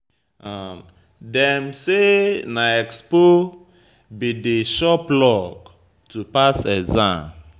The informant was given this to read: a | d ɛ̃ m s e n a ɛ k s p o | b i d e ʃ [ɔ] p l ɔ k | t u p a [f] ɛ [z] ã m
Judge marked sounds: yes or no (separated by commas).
yes, no, yes